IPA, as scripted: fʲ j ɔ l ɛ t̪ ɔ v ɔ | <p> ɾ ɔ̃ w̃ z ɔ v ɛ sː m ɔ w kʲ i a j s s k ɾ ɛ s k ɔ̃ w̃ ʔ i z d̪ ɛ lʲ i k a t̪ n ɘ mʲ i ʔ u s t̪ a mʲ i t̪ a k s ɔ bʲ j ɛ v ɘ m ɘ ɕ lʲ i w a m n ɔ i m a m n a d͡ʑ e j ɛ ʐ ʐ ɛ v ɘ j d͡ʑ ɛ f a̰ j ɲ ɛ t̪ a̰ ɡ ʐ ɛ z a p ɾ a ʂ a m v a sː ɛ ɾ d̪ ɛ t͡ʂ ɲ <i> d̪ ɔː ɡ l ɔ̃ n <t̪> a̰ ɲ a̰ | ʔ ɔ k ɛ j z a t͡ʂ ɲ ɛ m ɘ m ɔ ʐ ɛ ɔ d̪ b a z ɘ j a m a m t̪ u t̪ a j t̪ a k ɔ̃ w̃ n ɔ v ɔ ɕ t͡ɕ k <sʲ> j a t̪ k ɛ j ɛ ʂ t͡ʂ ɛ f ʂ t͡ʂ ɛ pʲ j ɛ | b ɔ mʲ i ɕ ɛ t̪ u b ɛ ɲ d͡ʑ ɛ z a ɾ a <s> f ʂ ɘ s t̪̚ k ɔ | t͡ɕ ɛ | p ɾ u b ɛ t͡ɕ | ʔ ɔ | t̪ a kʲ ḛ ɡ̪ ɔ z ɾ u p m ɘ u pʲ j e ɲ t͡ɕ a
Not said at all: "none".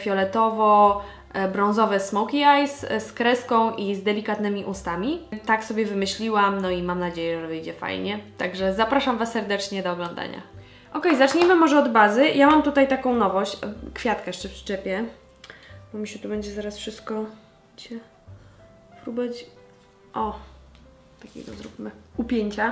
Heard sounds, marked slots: b, ɛ, d̪, fʲ, s

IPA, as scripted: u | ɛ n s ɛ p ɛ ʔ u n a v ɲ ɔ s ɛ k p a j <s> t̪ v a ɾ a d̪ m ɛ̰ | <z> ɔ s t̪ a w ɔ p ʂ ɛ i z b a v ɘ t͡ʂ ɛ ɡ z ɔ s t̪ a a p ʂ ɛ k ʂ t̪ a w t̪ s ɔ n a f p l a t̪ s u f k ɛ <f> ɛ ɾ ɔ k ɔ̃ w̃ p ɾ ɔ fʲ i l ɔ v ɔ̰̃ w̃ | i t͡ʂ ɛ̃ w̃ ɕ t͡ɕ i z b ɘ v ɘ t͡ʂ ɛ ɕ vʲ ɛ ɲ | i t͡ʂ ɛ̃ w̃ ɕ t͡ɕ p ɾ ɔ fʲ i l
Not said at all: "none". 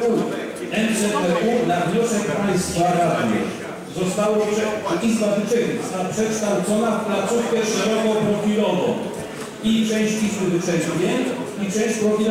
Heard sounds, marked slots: s, z, ʂ

